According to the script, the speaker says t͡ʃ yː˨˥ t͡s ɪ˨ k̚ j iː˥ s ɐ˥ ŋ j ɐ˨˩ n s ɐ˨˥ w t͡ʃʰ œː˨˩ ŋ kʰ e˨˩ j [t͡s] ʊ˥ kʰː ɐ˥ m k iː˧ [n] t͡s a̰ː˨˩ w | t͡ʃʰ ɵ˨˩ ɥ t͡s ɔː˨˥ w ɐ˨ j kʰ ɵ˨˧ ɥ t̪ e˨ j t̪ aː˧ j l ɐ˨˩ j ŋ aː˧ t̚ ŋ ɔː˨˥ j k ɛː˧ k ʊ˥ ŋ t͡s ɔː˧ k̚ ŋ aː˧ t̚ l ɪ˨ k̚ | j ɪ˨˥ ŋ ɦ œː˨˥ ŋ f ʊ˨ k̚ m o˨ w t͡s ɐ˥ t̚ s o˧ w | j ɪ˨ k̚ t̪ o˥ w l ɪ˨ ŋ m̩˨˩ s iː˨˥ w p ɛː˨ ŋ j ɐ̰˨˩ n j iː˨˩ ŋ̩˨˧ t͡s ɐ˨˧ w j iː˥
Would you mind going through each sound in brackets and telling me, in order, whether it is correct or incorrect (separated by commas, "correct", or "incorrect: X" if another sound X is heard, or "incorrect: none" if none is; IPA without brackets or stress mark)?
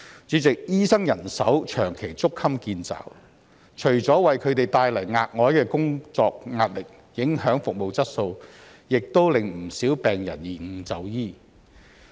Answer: correct, correct